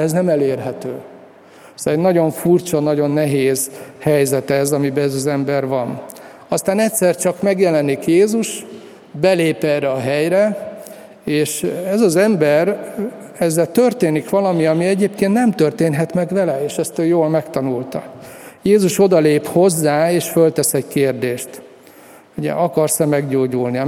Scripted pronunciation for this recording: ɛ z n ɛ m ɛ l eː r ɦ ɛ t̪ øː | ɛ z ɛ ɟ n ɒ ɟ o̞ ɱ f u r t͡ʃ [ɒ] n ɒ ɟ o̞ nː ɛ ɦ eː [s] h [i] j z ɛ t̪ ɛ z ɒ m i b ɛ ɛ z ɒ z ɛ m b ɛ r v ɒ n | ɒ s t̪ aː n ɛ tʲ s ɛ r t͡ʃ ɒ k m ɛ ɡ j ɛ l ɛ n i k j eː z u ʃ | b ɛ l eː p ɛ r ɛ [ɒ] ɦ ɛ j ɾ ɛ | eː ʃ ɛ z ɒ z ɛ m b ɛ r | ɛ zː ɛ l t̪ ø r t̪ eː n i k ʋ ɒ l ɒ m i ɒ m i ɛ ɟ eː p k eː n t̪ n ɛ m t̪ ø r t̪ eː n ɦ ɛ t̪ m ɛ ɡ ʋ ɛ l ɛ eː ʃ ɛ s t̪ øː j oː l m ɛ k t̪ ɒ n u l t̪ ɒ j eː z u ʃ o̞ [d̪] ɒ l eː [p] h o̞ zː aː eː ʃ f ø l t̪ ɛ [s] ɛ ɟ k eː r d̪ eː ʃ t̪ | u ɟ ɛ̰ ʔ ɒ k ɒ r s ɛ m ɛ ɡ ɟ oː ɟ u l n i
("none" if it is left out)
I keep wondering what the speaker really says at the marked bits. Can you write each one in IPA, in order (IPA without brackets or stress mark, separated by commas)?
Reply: ɒ, z, ɛ, ɒ, d̪, p, s